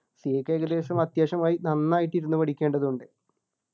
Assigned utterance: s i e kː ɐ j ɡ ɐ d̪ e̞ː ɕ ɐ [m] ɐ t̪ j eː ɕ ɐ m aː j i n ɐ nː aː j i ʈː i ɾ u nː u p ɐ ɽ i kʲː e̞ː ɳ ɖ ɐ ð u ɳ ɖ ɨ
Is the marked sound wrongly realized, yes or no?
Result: no